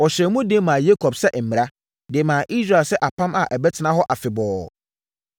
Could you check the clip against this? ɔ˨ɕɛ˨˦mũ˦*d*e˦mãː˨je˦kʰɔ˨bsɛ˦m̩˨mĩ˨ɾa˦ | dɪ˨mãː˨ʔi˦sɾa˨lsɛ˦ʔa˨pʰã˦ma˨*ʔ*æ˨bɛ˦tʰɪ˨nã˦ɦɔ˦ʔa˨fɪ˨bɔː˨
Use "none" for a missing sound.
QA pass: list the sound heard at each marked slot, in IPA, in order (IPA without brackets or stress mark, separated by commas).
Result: d, ʔ